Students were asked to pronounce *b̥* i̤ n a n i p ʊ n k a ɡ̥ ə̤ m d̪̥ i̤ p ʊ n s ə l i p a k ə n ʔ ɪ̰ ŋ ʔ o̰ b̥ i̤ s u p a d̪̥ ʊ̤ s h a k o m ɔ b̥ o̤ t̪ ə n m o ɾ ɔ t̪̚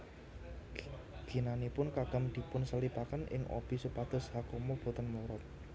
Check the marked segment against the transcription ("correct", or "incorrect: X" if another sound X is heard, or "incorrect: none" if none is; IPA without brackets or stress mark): incorrect: ɡ̥